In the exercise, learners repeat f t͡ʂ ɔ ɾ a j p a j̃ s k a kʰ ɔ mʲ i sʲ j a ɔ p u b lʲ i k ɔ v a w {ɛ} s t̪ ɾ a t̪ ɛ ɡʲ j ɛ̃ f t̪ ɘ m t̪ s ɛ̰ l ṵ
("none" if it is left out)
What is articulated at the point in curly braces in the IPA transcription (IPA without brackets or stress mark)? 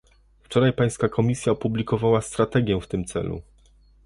a